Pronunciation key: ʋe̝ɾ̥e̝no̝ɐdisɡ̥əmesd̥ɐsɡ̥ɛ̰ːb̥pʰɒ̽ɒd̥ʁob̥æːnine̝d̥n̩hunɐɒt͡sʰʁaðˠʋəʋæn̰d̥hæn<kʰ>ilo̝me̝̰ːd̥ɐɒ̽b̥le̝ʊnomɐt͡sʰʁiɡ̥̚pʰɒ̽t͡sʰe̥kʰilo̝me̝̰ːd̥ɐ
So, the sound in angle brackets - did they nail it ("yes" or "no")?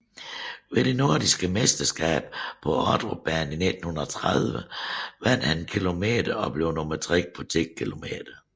yes